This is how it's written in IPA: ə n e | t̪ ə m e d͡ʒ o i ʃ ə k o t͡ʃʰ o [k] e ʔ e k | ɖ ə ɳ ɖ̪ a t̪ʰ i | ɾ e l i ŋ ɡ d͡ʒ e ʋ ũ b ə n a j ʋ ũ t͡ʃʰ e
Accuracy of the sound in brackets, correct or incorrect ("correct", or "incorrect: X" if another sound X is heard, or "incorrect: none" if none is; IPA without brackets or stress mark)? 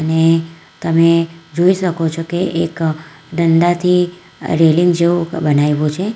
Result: correct